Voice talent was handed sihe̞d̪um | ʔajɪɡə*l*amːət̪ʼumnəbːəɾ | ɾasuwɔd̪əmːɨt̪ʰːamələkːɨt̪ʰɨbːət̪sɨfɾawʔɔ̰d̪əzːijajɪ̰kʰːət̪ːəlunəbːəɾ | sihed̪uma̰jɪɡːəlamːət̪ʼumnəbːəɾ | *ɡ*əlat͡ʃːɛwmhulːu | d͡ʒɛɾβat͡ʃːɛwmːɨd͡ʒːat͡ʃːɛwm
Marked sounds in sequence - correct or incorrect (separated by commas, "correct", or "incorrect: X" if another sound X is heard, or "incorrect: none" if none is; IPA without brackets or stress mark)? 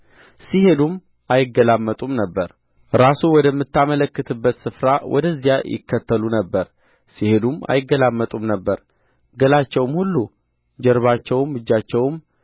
correct, correct